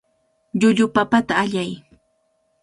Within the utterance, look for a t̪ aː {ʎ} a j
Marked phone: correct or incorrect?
correct